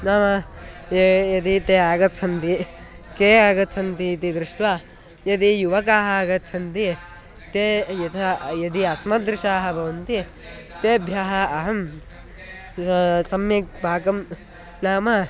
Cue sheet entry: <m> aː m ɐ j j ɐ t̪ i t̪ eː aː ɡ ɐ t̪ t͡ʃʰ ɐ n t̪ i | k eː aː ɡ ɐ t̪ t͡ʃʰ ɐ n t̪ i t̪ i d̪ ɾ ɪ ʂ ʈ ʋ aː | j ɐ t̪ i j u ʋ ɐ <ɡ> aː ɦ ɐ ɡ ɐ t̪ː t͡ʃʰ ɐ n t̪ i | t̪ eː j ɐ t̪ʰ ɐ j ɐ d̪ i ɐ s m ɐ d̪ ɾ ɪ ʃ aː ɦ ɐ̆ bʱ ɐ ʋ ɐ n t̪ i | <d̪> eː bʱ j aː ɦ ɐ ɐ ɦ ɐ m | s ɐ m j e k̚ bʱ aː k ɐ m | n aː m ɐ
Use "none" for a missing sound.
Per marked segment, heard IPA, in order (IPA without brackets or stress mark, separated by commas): n, k, t̪